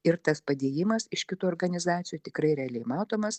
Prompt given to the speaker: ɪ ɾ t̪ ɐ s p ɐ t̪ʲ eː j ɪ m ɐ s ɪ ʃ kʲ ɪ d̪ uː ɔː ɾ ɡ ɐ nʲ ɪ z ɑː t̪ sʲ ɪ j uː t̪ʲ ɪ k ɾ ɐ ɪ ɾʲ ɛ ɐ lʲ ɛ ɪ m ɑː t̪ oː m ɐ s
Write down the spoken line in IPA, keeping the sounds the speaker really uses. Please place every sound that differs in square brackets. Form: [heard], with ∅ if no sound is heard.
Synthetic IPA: ɪ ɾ t̪ ɐ s p ɐ [d̪ʲ] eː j ɪ m ɐ s ɪ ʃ kʲ ɪ [t̪] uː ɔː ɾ ɡ ɐ nʲ ɪ z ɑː t̪ sʲ ɪ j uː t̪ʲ ɪ k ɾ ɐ ɪ ɾʲ ɛ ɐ lʲ ɛ ɪ m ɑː t̪ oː m ɐ s